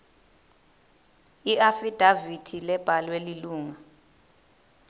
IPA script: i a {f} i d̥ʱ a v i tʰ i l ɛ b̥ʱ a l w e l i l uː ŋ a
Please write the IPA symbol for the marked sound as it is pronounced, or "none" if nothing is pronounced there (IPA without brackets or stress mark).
f